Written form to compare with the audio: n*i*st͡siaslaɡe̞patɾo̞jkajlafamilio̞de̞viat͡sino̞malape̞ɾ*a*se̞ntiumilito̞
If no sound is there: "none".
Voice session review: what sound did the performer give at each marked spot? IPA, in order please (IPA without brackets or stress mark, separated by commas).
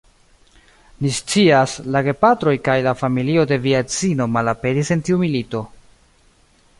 i, i